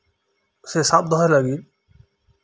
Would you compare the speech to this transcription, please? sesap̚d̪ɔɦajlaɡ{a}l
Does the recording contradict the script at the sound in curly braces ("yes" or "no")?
yes